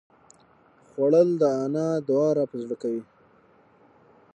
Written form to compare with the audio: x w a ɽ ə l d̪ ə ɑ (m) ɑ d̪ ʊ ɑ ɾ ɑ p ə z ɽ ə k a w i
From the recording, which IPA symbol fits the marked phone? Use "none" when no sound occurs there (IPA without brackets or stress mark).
n